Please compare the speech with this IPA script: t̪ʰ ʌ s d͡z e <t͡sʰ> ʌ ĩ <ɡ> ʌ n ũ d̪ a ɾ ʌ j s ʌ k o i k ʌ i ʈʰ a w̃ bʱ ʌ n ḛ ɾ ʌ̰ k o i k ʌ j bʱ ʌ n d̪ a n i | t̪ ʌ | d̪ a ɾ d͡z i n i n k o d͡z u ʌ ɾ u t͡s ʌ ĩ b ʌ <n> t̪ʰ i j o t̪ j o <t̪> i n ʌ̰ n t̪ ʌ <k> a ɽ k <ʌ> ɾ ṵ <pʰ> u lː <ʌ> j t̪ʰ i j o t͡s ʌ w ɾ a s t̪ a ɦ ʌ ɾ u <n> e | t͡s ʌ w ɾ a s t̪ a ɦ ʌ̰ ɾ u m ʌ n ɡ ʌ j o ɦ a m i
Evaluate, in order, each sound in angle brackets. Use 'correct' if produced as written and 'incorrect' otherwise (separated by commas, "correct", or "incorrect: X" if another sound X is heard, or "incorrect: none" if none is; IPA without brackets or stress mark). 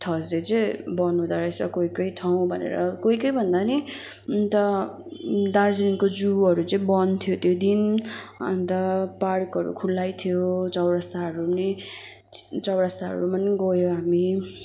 incorrect: t͡s, incorrect: b, correct, incorrect: d̪, incorrect: p, correct, incorrect: kʰ, incorrect: a, correct